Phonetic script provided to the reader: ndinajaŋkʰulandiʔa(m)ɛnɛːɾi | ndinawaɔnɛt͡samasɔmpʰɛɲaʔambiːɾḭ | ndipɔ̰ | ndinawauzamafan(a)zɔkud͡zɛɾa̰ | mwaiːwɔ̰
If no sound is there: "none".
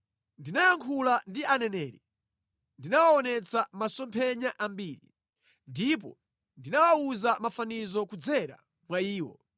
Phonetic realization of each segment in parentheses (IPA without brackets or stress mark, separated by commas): n, i